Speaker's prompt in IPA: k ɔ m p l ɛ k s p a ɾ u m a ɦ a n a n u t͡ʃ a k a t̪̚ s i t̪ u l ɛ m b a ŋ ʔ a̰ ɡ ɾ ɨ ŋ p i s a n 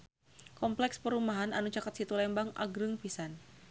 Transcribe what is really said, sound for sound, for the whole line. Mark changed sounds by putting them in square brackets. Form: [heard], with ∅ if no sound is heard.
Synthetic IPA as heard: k ɔ m p l ɛ k s p [ə] ɾ u m a ɦ a n a n u t͡ʃ a k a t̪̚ s i t̪ u l ɛ m b a ŋ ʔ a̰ ɡ ɾ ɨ ŋ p i s a n

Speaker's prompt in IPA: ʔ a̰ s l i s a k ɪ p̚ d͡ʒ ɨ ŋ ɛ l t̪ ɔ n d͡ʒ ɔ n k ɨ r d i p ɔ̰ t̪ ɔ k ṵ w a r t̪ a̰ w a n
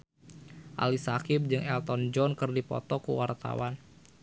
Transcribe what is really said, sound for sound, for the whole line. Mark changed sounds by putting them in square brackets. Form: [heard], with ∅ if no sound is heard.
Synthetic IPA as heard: ʔ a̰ [∅] l i s a k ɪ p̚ d͡ʒ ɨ ŋ ɛ l t̪ ɔ n d͡ʒ ɔ n k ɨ r d i p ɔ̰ t̪ ɔ k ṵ w a r t̪ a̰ w a n

